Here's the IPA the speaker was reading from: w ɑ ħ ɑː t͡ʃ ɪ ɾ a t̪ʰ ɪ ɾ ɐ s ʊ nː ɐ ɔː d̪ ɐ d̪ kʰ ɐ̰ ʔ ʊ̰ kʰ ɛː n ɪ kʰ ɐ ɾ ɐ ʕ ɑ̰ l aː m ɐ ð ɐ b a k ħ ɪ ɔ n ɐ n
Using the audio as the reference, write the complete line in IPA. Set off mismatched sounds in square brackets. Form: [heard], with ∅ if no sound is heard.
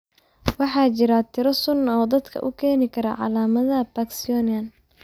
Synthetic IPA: w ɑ ħ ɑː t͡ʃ ɪ ɾ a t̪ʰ ɪ ɾ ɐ s ʊ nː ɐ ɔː d̪ ɐ d̪ kʰ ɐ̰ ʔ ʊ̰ kʰ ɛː n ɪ kʰ ɐ ɾ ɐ ʕ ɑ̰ l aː m ɐ ð ɐ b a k [s] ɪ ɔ n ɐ n